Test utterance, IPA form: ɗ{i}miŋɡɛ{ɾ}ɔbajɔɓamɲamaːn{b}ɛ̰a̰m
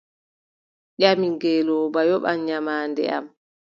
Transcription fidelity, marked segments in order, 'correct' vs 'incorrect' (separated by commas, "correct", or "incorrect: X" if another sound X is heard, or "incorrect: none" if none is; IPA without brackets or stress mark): incorrect: a, incorrect: l, incorrect: d